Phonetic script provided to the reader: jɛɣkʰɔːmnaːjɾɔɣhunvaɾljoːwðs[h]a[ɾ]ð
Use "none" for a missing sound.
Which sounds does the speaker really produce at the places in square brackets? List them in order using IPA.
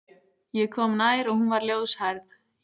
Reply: h, ɾ

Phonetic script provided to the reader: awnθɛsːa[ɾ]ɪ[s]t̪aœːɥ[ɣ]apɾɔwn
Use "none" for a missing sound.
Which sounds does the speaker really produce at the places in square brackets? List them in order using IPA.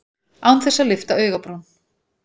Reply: l, f, ɣ

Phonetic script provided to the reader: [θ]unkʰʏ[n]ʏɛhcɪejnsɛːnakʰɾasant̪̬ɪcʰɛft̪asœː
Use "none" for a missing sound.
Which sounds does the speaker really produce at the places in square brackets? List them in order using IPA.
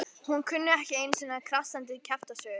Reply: h, nː

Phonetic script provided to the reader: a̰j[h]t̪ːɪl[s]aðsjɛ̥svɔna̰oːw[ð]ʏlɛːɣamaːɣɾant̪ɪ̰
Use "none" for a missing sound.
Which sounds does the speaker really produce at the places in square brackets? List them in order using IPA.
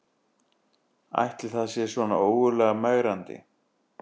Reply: h, θ, ɣ

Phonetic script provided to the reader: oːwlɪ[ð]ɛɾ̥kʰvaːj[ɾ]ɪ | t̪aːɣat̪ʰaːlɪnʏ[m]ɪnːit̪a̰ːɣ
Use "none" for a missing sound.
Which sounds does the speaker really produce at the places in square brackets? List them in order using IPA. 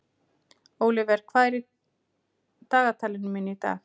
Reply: v, ɾ, m

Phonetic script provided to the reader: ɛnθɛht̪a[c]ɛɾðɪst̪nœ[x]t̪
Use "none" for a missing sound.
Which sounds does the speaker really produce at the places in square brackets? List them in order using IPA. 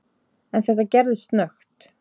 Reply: c, x

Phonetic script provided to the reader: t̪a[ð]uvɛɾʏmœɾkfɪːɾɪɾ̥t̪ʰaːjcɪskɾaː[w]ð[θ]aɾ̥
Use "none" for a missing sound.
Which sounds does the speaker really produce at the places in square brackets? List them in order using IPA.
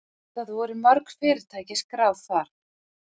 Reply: θ, w, θ

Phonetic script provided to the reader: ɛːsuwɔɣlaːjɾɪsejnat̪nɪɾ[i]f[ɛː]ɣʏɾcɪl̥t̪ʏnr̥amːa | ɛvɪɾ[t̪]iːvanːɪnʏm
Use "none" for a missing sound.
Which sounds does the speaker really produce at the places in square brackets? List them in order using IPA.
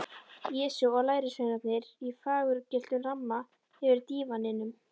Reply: i, aː, t̪

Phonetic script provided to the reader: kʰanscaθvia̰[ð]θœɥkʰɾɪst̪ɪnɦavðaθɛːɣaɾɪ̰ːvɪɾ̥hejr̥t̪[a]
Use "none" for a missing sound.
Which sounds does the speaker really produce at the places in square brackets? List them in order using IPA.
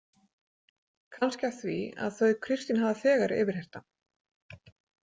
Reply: ð, a

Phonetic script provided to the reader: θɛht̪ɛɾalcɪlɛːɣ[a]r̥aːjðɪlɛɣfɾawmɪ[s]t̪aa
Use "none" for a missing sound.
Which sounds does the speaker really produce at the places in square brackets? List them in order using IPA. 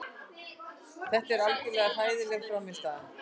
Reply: a, s

